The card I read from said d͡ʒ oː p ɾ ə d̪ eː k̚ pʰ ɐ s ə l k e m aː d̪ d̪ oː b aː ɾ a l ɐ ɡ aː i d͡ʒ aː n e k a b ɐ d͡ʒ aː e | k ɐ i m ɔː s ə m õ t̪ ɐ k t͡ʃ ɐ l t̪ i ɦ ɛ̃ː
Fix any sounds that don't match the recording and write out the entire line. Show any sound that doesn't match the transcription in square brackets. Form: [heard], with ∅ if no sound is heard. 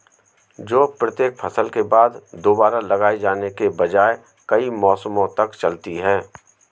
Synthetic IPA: d͡ʒ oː p ɾ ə [t̪] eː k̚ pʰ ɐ s ə l k e [b] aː d̪ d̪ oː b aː ɾ a l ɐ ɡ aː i d͡ʒ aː n e k [e] b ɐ d͡ʒ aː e | k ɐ i m ɔː s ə m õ t̪ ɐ k t͡ʃ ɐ l t̪ i ɦ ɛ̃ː